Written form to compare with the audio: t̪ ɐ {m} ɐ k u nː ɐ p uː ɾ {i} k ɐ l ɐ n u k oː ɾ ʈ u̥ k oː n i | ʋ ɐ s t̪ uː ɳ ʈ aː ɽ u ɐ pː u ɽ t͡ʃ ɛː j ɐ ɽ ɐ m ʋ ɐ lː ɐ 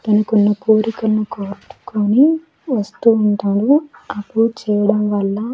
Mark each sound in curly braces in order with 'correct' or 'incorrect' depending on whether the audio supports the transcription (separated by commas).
incorrect, correct